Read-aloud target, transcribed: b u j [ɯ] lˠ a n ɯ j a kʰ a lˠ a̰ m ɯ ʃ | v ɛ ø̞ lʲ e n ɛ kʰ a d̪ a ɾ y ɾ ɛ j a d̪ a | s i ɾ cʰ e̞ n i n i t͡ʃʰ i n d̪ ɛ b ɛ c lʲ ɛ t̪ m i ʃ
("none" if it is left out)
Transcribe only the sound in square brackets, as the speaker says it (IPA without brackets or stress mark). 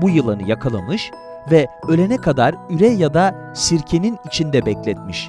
ɯ